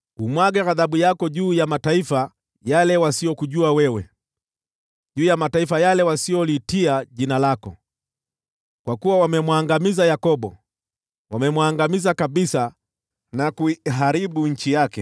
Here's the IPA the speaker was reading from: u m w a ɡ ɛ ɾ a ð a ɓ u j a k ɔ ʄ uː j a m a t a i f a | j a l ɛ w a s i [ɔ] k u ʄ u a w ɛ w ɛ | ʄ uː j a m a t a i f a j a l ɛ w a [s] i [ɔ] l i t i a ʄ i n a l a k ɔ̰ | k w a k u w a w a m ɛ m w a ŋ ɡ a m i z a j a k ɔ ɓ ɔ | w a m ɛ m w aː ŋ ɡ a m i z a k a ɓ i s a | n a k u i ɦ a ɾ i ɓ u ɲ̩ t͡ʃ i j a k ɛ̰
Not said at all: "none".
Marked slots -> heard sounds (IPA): ɔ, s, ɔ

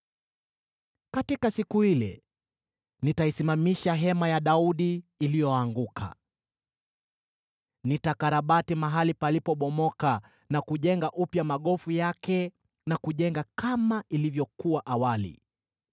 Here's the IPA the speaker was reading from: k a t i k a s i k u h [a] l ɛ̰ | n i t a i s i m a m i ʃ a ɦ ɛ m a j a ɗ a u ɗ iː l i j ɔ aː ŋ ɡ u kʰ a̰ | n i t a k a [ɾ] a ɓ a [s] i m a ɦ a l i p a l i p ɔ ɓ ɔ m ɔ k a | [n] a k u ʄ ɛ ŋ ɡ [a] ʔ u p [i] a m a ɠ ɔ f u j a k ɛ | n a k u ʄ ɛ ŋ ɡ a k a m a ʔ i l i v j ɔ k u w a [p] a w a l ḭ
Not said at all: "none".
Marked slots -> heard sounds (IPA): i, ɾ, t, n, a, j, ʔ

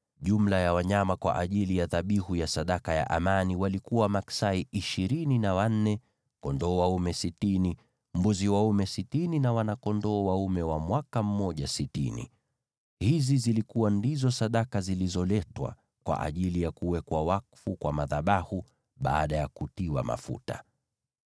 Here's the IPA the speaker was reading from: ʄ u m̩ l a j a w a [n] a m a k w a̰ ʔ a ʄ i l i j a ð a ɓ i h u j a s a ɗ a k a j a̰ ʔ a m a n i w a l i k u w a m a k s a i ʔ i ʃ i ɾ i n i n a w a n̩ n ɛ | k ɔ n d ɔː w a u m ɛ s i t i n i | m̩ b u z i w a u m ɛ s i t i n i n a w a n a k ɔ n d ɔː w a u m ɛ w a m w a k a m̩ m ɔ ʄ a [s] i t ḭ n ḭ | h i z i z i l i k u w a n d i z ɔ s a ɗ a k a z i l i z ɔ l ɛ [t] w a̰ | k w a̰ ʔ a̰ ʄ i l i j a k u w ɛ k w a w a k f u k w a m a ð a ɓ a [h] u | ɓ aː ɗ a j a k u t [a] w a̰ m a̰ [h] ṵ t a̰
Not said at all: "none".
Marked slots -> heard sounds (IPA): ɲ, s, t, h, i, f

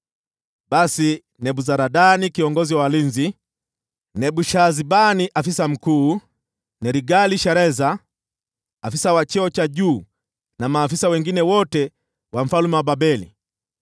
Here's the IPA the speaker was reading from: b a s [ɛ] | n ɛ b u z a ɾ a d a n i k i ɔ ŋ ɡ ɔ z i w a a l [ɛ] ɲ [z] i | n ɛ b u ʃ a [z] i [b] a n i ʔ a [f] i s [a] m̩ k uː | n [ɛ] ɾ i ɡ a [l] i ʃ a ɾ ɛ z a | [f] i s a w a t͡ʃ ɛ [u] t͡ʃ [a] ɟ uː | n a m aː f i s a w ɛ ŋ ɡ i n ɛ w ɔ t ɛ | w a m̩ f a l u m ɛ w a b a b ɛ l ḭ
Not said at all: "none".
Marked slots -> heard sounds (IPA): i, i, z, z, b, f, a, ɛ, l, f, ɔ, a

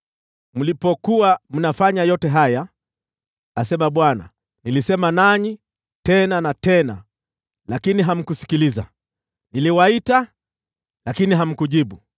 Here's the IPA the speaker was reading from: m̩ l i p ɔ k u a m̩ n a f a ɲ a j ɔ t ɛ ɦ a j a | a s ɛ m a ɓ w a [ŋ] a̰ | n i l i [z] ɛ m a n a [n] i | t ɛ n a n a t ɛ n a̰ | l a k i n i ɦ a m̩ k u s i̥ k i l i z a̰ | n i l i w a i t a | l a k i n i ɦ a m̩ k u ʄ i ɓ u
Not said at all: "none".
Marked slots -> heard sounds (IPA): n, s, ɲ

